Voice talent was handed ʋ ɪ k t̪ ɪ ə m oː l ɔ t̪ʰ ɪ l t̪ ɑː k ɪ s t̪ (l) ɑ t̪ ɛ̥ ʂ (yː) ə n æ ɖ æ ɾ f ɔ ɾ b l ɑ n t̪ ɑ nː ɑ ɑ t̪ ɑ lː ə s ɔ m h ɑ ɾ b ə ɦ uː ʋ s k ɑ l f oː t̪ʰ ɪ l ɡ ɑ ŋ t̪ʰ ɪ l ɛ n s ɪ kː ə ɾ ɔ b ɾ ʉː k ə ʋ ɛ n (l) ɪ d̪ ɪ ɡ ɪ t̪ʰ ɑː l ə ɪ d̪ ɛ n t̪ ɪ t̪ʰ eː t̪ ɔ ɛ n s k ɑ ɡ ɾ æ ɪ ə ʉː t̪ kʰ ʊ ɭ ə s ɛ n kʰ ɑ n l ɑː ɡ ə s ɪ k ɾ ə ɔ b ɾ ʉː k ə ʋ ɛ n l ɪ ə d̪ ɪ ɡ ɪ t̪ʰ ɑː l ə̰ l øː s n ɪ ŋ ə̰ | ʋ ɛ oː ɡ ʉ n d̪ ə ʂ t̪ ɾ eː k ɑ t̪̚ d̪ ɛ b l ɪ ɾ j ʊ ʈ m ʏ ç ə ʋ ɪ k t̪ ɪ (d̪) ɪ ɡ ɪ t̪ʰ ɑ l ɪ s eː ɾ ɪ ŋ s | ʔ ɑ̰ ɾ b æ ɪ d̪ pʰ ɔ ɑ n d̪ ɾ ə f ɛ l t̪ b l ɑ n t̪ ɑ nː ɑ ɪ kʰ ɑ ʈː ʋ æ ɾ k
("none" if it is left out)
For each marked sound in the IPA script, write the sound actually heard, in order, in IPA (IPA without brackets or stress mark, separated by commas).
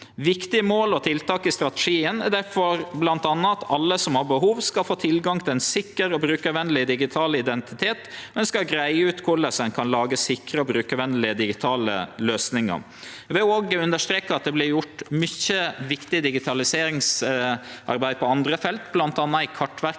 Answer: ɾ, iː, l, d̪